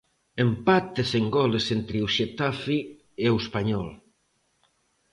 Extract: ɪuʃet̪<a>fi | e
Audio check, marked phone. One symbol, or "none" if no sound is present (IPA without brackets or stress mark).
a